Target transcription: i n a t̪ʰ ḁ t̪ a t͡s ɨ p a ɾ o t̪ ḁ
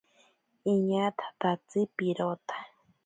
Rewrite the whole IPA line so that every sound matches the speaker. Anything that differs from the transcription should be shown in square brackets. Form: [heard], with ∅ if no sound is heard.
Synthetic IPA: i [ɲ] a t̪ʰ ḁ t̪ a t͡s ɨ p [i] ɾ o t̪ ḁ